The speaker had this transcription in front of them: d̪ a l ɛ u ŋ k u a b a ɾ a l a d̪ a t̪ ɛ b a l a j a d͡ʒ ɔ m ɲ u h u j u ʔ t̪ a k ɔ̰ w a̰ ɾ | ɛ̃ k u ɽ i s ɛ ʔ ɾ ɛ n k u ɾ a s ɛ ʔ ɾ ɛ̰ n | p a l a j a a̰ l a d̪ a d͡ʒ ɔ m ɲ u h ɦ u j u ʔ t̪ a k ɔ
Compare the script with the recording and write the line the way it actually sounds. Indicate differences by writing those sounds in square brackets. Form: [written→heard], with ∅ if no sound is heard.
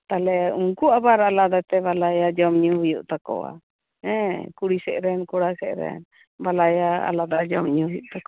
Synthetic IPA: [d̪→t̪] a l ɛ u ŋ k u a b a ɾ a l a d̪ a t̪ ɛ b a l a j a d͡ʒ ɔ m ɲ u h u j u ʔ t̪ a k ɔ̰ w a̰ [ɾ→∅] | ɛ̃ k u ɽ i s ɛ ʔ ɾ ɛ n k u [ɾ→ɽ] a s ɛ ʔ ɾ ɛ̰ n | [p→b] a l a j a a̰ l a d̪ a d͡ʒ ɔ m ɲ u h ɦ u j u ʔ t̪ a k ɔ